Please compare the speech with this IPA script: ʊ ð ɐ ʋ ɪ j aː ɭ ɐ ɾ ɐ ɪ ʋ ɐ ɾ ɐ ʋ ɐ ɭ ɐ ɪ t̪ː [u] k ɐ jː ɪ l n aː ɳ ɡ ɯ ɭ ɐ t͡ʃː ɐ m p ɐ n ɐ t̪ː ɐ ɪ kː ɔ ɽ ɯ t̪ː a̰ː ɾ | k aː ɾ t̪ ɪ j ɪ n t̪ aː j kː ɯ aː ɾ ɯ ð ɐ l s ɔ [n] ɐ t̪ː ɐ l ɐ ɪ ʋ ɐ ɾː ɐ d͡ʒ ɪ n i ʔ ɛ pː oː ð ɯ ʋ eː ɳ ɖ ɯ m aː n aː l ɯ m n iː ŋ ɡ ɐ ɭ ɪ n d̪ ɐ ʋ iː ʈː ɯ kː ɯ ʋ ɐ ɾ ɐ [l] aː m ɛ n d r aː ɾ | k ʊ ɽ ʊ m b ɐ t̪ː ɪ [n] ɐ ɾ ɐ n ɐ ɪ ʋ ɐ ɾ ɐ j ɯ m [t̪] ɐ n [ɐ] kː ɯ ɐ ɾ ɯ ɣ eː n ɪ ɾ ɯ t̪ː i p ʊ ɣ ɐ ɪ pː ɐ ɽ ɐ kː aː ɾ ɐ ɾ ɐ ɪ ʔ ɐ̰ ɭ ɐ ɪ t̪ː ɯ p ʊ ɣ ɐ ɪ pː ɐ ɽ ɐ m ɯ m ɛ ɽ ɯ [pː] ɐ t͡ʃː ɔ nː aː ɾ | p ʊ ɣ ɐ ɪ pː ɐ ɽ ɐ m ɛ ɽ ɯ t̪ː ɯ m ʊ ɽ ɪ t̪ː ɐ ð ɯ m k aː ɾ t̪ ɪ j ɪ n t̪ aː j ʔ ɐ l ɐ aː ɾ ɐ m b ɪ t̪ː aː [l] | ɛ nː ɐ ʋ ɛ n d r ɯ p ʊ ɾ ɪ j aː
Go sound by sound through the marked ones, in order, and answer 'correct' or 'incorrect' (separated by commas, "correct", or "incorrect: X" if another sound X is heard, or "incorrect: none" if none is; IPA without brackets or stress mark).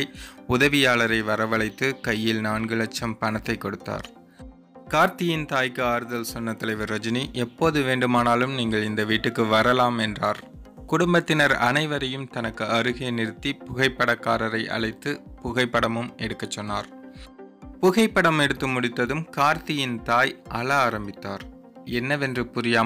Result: incorrect: ɯ, incorrect: nː, correct, correct, correct, correct, incorrect: kː, incorrect: ɾ